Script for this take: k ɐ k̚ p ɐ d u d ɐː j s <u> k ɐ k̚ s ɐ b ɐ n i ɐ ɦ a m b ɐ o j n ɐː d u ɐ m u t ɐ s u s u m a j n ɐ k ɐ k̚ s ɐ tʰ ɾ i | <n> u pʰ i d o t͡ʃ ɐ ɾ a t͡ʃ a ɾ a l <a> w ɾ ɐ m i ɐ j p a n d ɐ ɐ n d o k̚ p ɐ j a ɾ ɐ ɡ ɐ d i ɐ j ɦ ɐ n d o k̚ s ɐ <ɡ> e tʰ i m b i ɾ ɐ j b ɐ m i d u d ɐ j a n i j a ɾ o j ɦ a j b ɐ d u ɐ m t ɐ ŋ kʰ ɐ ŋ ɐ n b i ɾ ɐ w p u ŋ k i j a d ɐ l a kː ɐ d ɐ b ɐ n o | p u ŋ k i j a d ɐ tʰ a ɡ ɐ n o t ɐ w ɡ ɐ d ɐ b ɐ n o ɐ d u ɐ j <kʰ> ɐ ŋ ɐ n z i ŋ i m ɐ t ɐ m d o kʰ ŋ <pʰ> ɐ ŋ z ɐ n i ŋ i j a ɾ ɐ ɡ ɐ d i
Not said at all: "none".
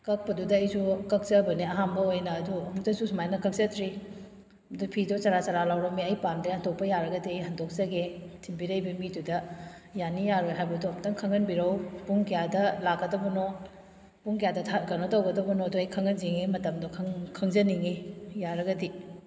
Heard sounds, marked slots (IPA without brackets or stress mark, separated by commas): u, d, a, ɡ, kʰ, kʰ